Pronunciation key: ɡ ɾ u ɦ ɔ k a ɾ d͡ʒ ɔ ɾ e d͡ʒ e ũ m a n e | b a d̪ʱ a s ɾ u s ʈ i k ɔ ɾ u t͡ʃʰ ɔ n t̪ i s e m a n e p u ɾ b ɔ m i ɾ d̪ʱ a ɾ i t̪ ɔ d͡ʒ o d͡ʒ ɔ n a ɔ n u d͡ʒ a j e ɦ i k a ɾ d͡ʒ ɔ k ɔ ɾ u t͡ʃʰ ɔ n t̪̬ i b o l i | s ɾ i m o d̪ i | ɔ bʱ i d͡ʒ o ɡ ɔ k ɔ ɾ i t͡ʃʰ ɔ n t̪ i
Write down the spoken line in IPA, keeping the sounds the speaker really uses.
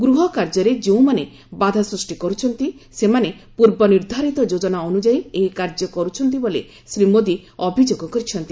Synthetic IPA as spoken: ɡ ɾ u ɦ ɔ k a ɾ d͡ʒ ɔ ɾ e d͡ʒ e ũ m a n e | b a d̪ʱ a s ɾ u s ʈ i k ɔ ɾ u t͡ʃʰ ɔ n t̪ i s e m a n e p u ɾ b ɔ n i ɾ d̪ʱ a ɾ i t̪ ɔ d͡ʒ o d͡ʒ ɔ n a ɔ n u d͡ʒ a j e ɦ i k a ɾ d͡ʒ ɔ k ɔ ɾ u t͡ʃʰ ɔ n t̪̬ i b o l e | s ɾ i m o d̪ i | ɔ bʱ i d͡ʒ o ɡ ɔ k ɔ ɾ i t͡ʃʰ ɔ n t̪ i